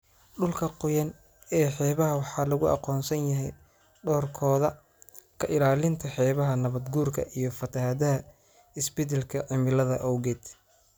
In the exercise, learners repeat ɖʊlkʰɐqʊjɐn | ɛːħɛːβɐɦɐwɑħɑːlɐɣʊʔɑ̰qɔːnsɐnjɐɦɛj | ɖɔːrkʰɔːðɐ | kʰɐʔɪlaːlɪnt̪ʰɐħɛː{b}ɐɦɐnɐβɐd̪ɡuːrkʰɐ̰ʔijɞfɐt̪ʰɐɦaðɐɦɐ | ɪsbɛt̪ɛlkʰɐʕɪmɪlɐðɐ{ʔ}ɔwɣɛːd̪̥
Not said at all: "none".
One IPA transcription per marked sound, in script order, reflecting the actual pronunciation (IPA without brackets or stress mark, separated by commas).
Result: β, ʔ